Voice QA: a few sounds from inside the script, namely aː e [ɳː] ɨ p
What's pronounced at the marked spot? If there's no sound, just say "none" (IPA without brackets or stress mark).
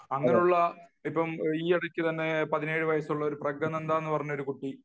nː